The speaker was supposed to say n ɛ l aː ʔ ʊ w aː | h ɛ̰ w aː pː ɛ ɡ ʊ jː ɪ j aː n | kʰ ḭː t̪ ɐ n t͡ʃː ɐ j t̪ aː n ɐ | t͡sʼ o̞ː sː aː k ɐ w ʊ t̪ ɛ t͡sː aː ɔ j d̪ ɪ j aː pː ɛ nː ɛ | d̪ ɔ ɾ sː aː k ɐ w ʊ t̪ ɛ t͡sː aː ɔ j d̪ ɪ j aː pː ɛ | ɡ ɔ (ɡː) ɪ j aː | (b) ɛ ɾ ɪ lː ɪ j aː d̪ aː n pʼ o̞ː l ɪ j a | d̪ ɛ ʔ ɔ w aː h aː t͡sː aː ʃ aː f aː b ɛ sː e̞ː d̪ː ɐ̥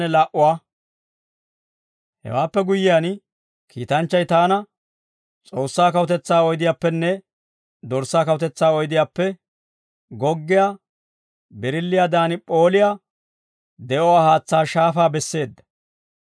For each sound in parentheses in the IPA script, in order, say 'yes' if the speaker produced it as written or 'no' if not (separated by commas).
yes, yes